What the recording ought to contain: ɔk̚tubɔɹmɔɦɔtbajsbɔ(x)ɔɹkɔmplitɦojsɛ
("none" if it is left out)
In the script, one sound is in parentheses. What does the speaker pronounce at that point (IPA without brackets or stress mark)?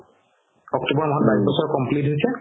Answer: s